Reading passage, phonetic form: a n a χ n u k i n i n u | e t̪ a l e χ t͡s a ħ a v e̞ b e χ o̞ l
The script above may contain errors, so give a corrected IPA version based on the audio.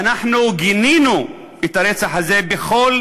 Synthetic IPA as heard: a n a ħ n u ɡ i n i n u | e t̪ a ɾ e t͡s a ħ a z e̞ b e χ o̞ l